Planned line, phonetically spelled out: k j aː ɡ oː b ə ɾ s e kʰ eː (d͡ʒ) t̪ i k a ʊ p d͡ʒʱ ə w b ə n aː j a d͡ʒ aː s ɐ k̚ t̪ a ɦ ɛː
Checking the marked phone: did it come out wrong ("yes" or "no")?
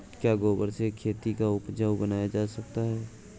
yes